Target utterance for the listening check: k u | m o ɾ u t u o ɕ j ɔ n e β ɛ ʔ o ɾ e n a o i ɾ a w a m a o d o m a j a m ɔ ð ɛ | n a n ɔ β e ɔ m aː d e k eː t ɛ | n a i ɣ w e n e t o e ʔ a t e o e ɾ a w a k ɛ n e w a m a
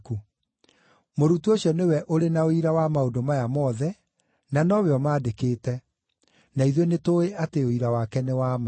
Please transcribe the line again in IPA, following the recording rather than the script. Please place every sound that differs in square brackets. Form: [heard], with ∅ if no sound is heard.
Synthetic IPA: k u | m o ɾ u t u o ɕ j ɔ n e [w] ɛ ʔ o ɾ e n a o i ɾ a w a m a o d o m a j a m ɔ ð ɛ | n a n ɔ β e ɔ m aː d e k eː t ɛ | n a i [ð] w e n e t o e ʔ a t e o [i] ɾ a w a k ɛ n e w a m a

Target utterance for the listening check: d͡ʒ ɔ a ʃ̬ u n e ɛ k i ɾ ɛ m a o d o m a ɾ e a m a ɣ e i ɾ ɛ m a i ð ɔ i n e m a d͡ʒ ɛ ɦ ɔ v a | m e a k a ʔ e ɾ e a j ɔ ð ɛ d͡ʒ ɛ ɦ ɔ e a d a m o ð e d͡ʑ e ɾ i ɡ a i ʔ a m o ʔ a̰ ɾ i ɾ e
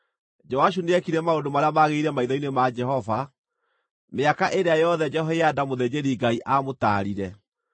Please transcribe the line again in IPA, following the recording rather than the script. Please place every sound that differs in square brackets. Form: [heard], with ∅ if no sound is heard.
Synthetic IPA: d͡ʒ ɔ a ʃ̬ u n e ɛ k i ɾ ɛ m a o d o m a ɾ e a m a ɣ e i ɾ ɛ m a i ð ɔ i n e m a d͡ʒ ɛ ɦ ɔ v a | m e a k a ʔ e ɾ e a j ɔ ð ɛ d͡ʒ ɛ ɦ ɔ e a d a m o ð e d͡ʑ e ɾ i ɡ a i ʔ a m o [t] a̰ ɾ i ɾ [ɛ]

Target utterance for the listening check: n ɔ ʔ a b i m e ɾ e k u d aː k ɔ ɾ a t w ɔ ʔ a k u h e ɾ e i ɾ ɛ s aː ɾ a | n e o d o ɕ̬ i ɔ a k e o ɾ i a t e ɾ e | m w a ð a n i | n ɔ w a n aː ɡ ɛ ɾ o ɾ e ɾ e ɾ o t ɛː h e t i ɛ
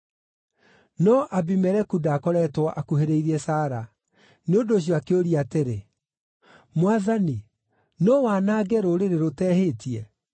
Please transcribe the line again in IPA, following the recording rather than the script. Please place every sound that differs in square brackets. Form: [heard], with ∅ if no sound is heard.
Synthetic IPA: n ɔ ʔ a b i m [ɛ] ɾ [ɛ] k u d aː k ɔ ɾ [ɛ] t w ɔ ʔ a k u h e ɾ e i ɾ ɛ s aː ɾ a | n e o d o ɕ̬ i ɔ a k e o ɾ i a t e ɾ e | m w a ð a n i | n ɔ w a n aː ɡ ɛ ɾ o ɾ e ɾ e ɾ o t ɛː h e t i ɛ

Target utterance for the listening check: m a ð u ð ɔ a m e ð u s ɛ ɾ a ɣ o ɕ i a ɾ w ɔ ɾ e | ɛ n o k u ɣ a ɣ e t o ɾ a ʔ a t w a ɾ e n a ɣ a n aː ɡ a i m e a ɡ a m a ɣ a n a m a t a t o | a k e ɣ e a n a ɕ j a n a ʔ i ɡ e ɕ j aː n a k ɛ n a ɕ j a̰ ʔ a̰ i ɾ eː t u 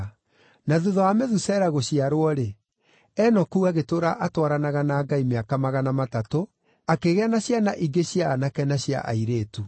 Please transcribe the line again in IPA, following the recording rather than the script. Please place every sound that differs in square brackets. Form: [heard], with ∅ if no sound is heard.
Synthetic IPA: [n] a ð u ð ɔ a m e ð u s ɛ ɾ a ɣ o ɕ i a ɾ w ɔ ɾ e | ɛ n [ɔ] k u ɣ a ɣ e t o ɾ a ʔ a t w a ɾ [a] n a ɣ a n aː ɡ a i m e a [k] a m a ɣ a n a m a t a t o | a k e ɣ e a n a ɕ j a n a ʔ i ɡ e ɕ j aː n a k ɛ n a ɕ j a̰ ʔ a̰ i ɾ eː t u

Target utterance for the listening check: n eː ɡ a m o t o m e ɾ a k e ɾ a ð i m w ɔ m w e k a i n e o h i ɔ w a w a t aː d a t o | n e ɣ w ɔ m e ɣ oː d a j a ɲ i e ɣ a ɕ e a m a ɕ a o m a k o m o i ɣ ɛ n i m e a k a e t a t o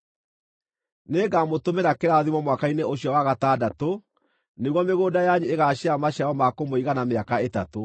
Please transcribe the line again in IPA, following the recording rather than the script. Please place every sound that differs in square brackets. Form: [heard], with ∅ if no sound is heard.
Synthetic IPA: n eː ɡ a m o t o m e ɾ a k e ɾ a ð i m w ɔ m w [a] k a i n e o [ɕ] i ɔ w a [ɣ] a t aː d a t o | n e ɣ w ɔ m e ɣ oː d a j a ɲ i e ɣ a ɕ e a m a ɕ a [ɔ] m a k o m o i ɣ [a] n [a] m e a k a e t a t o

